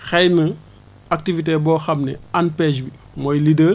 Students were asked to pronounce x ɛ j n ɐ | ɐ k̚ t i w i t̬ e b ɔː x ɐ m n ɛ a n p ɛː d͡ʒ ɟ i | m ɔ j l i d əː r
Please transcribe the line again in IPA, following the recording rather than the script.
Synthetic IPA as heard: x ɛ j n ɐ | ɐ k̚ t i v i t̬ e b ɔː x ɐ m n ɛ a n p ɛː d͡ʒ b i | m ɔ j l i d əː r